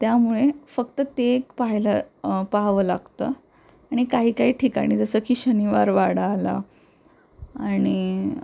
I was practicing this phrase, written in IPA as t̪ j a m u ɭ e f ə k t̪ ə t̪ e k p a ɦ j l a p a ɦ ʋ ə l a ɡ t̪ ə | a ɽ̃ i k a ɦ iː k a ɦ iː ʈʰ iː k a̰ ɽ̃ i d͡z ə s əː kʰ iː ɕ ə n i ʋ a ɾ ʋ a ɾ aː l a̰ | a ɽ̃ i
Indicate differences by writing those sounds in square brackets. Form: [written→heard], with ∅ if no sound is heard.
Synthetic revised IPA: t̪ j a m u ɭ e f ə k t̪ ə t̪ e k p a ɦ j l a p a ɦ ʋ ə l a ɡ t̪ ə | a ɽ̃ i k a ɦ iː k a ɦ iː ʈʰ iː k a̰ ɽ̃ i d͡z ə s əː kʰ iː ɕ ə n i ʋ a ɾ ʋ a [ɾ→ɽ] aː l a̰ | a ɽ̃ i